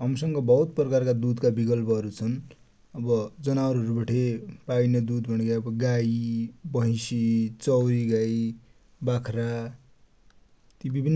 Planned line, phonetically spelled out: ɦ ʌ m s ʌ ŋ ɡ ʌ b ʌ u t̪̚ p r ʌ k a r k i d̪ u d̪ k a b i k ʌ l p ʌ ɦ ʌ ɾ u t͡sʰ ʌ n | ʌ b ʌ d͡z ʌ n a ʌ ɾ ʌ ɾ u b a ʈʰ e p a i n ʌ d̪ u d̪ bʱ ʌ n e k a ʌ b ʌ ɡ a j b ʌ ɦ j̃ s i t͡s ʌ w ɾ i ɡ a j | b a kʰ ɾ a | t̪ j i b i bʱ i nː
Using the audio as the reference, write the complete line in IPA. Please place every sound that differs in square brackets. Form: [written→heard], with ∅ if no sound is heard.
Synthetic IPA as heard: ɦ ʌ m s ʌ ŋ ɡ ʌ b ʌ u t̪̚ p r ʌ k a r k [i→a] d̪ u d̪ k a b i k ʌ l p ʌ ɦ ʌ ɾ u t͡sʰ ʌ n | ʌ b ʌ d͡z ʌ n a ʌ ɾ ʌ ɾ u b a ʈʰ e p a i n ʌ d̪ u d̪ bʱ ʌ n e k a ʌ b ʌ ɡ a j b ʌ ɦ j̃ s i t͡s ʌ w ɾ i ɡ a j | b a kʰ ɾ a | t̪ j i b i bʱ i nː

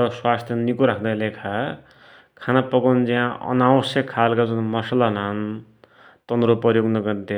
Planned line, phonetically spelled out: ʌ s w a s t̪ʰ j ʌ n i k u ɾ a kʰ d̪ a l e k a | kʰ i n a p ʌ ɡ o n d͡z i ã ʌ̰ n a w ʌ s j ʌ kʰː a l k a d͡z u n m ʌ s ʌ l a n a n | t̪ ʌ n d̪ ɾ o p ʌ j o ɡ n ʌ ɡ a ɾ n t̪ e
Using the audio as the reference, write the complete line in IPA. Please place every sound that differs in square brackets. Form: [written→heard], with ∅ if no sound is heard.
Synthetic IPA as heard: ʌ s w a s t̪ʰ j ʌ n i k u ɾ a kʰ d̪ a l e [k→kʰ] a | kʰ [i→a] n a p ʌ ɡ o n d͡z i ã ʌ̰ n a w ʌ s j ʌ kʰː a l k a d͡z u n m ʌ s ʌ l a n a n | t̪ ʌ n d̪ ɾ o p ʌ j o ɡ n ʌ ɡ [a→ʌ] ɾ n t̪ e

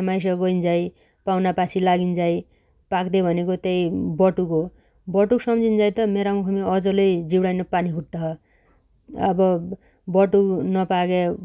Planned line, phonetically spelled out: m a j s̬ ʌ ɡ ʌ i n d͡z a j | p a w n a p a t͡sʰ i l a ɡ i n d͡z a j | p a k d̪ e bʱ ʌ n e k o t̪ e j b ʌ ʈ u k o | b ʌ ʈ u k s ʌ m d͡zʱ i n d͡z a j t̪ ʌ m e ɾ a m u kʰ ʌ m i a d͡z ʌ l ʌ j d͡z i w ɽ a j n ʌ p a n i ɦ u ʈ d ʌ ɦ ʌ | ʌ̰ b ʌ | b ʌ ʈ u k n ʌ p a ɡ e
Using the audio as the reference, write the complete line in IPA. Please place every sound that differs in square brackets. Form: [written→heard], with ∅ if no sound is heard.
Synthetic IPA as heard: m a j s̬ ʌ ɡ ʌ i n d͡z a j | p a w n a p a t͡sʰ i l a ɡ i n d͡z a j | p a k d̪ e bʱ ʌ n e k o t̪ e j b ʌ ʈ u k o | b ʌ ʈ u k s ʌ m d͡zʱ i n d͡z a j t̪ ʌ m e ɾ a m u kʰ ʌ m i [a→ʌ] d͡z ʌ l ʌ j d͡z i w ɽ a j n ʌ p a n i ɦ u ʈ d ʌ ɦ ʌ | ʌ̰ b ʌ | b ʌ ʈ u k n ʌ p a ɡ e

